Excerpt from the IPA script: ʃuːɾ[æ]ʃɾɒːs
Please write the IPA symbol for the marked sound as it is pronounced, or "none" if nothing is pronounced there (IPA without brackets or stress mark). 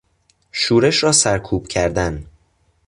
e